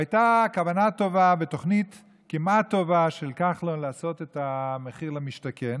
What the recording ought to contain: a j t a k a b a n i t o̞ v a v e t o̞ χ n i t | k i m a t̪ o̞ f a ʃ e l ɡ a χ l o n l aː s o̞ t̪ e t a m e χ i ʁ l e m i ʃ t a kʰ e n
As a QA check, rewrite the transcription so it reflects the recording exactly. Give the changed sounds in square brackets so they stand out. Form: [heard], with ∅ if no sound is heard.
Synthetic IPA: a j t a k a [v] a n [a] t o̞ v a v e t o̞ χ n i t | k i m a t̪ o̞ [v] a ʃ e l [k] a χ l o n l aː s o̞ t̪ e t a m e χ i ʁ l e m i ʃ t a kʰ e n